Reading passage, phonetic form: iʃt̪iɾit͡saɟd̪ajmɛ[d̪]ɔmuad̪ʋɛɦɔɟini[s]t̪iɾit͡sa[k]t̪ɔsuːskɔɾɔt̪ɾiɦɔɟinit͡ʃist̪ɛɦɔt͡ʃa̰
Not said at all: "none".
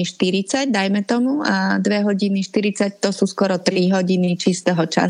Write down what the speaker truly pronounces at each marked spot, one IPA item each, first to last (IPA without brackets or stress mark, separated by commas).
t̪, ʃ, c